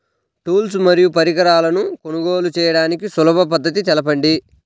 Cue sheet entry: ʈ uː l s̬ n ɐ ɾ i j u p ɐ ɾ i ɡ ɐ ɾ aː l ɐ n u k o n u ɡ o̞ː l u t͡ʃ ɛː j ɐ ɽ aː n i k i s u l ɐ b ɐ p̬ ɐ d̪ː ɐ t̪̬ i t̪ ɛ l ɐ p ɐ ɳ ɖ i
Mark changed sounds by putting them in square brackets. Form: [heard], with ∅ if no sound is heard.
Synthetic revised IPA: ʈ uː l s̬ [m] ɐ ɾ i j u p ɐ ɾ i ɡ ɐ ɾ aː l ɐ n u k o n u ɡ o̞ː l u t͡ʃ ɛː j ɐ ɽ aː n i k i s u l ɐ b ɐ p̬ ɐ d̪ː ɐ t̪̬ i t̪ ɛ l ɐ p ɐ ɳ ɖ i